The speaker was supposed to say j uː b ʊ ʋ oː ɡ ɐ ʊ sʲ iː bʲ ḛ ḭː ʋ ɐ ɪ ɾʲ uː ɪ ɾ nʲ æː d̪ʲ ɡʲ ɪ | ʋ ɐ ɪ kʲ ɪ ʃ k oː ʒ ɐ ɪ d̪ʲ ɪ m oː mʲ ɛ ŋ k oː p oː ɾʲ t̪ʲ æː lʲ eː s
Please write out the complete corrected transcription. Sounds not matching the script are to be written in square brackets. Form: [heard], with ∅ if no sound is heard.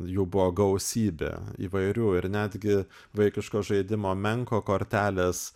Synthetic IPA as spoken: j uː b ʊ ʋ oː ɡ ɐ ʊ sʲ iː bʲ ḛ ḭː ʋ ɐ ɪ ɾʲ uː ɪ ɾ nʲ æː d̪ʲ ɡʲ ɪ | ʋ ɐ ɪ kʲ ɪ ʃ k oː ʒ ɐ ɪ d̪ʲ ɪ m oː mʲ ɛ ŋ k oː [k] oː ɾʲ t̪ʲ æː lʲ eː s